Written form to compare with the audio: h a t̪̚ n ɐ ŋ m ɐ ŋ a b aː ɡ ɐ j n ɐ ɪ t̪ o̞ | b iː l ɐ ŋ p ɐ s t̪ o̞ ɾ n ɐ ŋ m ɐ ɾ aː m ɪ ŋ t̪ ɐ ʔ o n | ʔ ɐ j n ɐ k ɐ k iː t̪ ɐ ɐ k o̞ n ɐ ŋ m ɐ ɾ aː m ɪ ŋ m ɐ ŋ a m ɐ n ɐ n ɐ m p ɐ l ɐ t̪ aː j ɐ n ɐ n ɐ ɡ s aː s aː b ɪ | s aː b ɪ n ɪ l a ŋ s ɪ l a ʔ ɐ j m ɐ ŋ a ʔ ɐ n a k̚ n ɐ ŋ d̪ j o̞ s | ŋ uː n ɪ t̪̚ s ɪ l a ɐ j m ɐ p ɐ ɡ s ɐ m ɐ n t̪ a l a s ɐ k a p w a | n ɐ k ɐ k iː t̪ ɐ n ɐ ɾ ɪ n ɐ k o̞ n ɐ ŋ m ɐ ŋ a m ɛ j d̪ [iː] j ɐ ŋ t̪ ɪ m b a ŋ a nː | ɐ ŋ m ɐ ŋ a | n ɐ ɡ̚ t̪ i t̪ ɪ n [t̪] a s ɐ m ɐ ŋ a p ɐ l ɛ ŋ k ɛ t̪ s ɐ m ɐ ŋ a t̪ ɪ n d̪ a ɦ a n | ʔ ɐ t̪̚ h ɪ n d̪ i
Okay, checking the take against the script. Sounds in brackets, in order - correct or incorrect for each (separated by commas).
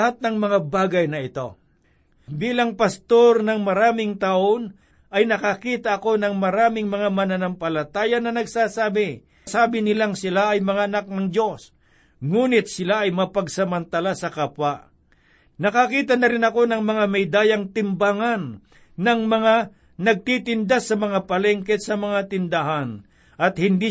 incorrect, incorrect